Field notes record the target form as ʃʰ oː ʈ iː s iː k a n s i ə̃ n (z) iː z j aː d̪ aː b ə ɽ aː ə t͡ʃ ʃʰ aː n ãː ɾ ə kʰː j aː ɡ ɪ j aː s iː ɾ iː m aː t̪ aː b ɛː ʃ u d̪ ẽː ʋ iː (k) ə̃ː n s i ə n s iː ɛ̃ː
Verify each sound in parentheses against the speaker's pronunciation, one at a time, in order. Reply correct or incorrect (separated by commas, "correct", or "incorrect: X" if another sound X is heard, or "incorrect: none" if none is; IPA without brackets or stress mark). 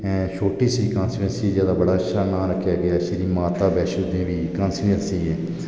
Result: incorrect: s, correct